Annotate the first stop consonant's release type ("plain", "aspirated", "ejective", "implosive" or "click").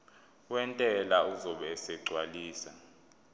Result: ejective